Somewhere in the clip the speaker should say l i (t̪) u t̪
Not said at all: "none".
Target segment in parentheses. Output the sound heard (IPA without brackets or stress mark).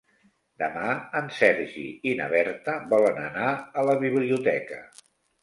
none